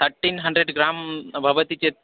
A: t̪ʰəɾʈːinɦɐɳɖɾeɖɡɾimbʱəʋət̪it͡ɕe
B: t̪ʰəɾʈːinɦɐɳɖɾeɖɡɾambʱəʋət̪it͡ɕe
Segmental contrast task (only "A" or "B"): B